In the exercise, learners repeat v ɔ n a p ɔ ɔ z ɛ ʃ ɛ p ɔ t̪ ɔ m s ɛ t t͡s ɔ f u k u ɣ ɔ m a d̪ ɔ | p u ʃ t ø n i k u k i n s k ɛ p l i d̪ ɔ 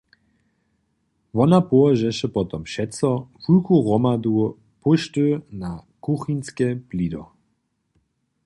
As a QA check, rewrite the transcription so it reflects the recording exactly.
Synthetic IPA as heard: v ɔ n a p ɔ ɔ ʒ ɛ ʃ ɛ p ɔ t̪ ɔ m ʃ ɛ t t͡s ɔ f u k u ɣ ɔ m a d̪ u | p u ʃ t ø n a k u x i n s k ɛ p l i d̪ ɔ

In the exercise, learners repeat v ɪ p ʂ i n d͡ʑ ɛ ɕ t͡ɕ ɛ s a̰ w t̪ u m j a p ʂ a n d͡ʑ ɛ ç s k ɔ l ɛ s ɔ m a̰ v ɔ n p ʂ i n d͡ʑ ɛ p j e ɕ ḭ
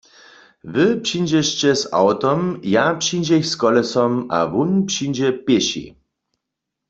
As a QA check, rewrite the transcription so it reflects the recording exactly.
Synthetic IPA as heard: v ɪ p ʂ i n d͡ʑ ɛ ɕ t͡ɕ ɛ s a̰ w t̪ ɔ m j a p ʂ i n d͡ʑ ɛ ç s k ɔ l ɛ s ɔ m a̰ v u n p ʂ i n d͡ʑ ɛ p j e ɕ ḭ

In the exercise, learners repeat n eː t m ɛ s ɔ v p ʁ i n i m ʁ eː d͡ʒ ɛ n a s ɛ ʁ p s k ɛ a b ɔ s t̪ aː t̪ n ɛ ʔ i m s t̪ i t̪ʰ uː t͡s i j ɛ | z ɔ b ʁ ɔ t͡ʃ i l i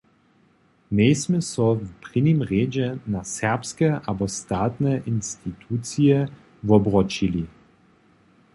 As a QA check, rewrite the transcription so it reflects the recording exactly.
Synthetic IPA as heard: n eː s m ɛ s ɔ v p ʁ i n i m ʁ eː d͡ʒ ɛ n a s ɛ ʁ p s k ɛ a b ɔ s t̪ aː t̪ n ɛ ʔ i n s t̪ i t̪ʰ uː t͡s i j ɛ | v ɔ b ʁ ɔ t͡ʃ i l i

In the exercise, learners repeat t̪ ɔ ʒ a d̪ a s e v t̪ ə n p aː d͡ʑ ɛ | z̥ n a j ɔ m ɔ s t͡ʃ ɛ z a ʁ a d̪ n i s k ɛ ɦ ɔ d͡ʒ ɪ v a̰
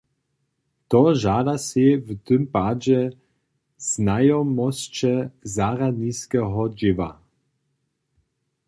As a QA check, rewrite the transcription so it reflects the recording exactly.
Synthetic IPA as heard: t̪ ɔ ʒ a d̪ a s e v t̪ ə m p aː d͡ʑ ɛ | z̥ n a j ɔ m ɔ s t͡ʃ ɛ z a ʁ a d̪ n i s k ɛ ɦ ɔ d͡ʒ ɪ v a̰

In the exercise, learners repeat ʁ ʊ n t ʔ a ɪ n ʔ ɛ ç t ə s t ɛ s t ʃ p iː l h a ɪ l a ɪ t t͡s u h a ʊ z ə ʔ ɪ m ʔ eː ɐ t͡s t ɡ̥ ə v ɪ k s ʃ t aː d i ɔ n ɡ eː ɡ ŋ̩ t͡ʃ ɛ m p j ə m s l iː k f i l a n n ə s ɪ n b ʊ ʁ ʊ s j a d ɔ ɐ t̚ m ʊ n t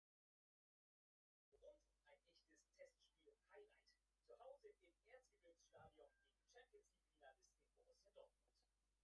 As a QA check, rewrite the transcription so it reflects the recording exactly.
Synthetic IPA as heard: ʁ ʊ n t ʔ a ɪ n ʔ ɛ ç t ə s tʰ ɛ s t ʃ p iː l h a ɪ l a ɪ t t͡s u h a ʊ z ə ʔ ɪ m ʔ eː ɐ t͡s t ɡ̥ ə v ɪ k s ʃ t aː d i ɔ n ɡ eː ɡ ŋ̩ t͡ʃ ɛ m p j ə n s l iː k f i l a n d ə s ɪ n b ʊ ʁ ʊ s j a d ɔ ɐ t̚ m ʊ n t

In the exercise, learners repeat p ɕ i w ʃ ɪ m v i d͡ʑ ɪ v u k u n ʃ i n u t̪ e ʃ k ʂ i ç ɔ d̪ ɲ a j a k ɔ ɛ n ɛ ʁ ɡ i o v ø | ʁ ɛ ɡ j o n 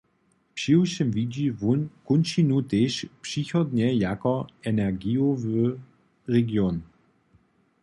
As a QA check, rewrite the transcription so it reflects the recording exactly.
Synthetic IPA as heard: p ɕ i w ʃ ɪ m v i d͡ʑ i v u k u n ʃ i n u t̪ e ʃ p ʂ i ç ɔ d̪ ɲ ɛ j a k ɔ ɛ n ɛ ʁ ɡ i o v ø | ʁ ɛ ɡ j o n

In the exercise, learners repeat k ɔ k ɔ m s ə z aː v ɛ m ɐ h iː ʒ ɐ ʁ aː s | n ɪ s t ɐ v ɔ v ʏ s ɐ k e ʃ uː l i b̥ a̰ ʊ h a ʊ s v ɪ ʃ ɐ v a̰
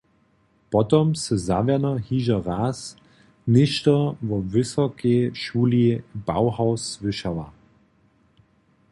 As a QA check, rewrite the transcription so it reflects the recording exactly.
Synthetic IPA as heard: p ɔ t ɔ m s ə z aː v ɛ n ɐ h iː ʒ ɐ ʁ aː s | n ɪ ʃ t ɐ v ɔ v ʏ s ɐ k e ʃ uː l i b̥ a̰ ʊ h a ʊ s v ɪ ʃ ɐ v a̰

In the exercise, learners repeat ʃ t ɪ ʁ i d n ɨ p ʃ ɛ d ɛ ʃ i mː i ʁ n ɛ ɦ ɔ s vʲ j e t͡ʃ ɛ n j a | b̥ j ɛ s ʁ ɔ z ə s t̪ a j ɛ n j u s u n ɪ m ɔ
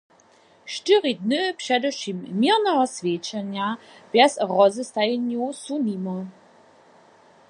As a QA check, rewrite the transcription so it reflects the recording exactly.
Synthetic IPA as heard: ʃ t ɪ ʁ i d n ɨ p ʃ ɛ d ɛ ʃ i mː i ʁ n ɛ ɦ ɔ s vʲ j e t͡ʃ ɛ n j a | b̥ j ɛ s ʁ ɔ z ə s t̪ a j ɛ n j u s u n i m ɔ

